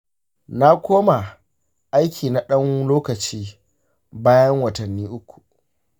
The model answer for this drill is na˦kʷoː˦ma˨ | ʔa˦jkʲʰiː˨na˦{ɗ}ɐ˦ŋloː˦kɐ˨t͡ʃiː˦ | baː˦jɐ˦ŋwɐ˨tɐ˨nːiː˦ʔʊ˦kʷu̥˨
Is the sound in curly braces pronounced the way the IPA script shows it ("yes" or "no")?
yes